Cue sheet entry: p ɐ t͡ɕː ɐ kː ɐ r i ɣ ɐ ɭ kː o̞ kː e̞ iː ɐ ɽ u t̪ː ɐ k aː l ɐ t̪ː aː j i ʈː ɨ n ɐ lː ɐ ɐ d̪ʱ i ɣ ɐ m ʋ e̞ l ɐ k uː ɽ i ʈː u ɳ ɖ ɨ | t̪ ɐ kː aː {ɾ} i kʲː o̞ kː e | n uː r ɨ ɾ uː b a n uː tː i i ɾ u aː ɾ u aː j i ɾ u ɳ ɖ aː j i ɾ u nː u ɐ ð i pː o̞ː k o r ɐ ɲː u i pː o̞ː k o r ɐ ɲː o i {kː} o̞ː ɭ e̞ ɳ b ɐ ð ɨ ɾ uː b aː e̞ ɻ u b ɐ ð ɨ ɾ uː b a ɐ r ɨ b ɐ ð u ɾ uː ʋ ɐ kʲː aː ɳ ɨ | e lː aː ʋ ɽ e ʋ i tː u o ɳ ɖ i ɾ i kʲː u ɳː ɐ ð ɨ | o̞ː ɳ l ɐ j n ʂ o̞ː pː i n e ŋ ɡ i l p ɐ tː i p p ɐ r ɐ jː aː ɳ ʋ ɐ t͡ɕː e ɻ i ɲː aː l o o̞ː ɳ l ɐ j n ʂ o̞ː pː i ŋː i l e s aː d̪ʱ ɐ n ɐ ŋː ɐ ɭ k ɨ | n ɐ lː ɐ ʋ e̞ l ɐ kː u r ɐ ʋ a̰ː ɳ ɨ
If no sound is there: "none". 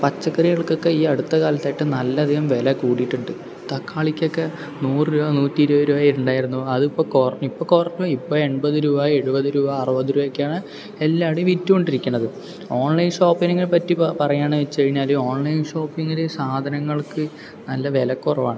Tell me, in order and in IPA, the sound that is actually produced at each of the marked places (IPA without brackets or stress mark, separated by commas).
ɭ, pː